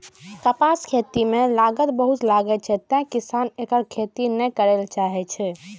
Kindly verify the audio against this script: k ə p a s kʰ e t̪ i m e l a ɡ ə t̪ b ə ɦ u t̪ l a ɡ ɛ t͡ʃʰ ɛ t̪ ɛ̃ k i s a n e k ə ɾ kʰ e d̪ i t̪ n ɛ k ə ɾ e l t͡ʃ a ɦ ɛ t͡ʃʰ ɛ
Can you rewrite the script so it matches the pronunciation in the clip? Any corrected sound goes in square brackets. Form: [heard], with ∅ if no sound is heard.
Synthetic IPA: k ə p a s kʰ e t̪ i m e l a ɡ ə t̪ b ə ɦ u t̪ l a ɡ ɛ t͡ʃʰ ɛ t̪ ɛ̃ k i s a n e k ə ɾ kʰ e [t̪] i [∅] n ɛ k ə ɾ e l t͡ʃ a ɦ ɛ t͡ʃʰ ɛ